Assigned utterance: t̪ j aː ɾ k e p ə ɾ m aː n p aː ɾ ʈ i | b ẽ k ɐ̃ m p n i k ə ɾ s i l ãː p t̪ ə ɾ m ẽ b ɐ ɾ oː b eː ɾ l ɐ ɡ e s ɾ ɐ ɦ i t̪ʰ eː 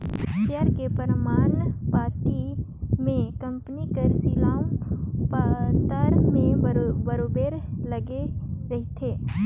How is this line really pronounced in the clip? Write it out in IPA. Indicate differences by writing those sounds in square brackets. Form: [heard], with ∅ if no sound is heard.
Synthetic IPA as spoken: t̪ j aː ɾ k e p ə ɾ m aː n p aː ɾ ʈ i | [m] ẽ k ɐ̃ m p n i k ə ɾ s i l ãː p t̪ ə ɾ m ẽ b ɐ ɾ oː b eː ɾ l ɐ ɡ e [∅] ɾ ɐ ɦ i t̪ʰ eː